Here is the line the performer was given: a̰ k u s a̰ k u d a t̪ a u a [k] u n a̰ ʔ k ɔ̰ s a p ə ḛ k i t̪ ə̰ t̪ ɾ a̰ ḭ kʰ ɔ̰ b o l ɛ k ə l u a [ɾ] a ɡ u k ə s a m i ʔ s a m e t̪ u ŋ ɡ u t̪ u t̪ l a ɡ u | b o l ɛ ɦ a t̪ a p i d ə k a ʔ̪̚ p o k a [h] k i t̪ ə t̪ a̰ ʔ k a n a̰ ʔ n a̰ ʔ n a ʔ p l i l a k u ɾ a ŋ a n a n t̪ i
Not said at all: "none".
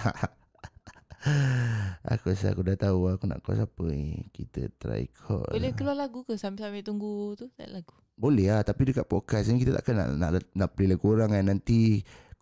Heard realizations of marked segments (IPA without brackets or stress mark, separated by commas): k, l, s